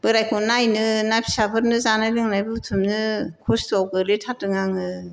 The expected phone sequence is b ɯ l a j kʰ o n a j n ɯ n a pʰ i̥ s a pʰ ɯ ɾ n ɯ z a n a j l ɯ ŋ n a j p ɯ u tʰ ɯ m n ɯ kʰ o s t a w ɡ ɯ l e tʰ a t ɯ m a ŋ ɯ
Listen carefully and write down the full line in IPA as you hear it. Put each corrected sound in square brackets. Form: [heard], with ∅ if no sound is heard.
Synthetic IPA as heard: b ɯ [ɾ] a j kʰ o n a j n ɯ n a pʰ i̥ s a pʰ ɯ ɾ n ɯ z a n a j l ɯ ŋ n a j [b] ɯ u tʰ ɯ m n ɯ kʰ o s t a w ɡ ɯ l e tʰ a t ɯ [ŋ] a ŋ ɯ